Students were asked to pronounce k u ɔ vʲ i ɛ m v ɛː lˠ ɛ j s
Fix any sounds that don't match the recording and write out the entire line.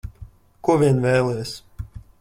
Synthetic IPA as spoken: k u ɔ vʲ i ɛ n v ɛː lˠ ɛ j s